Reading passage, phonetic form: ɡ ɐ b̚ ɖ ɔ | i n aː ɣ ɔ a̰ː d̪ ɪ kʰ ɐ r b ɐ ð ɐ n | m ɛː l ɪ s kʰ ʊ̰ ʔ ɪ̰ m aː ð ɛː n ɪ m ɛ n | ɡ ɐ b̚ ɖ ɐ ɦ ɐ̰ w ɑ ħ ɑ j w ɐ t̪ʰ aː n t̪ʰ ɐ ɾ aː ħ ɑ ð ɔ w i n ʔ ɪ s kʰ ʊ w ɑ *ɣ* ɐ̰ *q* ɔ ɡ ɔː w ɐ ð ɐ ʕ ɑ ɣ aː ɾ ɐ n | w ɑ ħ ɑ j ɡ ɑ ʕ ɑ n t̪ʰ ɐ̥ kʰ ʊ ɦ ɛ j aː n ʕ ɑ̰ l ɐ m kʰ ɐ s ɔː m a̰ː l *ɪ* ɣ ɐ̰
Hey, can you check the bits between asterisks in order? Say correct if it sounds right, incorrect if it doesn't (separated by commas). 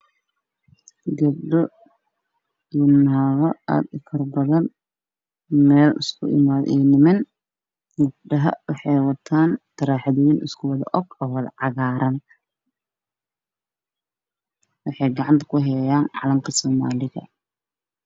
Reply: incorrect, incorrect, correct